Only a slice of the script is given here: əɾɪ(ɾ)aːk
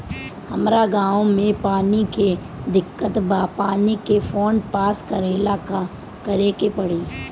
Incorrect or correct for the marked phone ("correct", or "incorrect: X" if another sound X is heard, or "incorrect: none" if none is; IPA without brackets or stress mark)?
incorrect: l